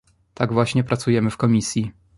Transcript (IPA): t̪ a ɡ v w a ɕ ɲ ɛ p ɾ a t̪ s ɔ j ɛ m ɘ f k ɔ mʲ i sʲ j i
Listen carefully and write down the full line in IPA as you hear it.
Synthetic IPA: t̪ a ɡ v w a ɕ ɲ ɛ p ɾ a t̪ s u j ɛ m ɘ f k ɔ mʲ i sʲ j i